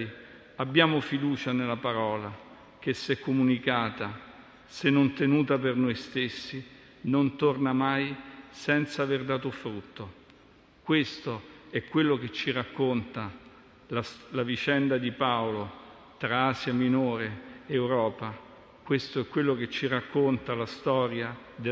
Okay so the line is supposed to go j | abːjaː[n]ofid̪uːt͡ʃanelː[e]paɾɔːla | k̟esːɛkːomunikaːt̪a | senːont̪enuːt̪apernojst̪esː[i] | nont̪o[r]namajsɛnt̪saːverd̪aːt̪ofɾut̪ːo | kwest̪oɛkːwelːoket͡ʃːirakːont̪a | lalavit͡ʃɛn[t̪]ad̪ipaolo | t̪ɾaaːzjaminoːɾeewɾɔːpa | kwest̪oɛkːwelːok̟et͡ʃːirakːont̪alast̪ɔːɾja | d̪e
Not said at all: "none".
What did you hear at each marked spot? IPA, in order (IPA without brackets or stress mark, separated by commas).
m, a, i, r, d̪